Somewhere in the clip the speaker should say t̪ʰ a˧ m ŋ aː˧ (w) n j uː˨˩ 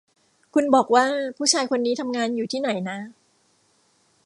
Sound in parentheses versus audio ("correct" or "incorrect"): incorrect